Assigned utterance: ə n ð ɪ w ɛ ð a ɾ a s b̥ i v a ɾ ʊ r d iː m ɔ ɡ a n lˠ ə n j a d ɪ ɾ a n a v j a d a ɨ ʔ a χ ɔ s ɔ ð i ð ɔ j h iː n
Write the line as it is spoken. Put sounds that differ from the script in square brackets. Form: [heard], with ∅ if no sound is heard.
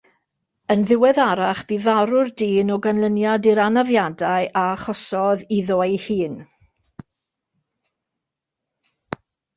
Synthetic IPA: ə n ð ɪ w ɛ ð a ɾ a [χ] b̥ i v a ɾ ʊ r d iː [n] ɔ ɡ a n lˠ ə n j a d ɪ ɾ a n a v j a d a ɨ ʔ a χ ɔ s ɔ ð i ð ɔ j h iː n